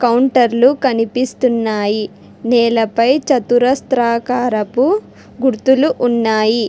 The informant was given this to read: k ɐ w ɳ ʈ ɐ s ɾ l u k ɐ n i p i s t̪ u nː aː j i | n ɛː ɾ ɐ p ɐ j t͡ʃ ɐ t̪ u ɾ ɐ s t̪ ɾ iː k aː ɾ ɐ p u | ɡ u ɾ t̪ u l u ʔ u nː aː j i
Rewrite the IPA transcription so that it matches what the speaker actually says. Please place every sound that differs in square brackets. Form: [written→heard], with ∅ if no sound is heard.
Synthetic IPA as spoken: k ɐ w ɳ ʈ ɐ [s→∅] ɾ l u k ɐ n i p i s t̪ u nː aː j i | n ɛː [ɾ→l] ɐ p ɐ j t͡ʃ ɐ t̪ u ɾ ɐ s t̪ ɾ [iː→aː] k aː ɾ ɐ p u | ɡ u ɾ t̪ u l u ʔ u nː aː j i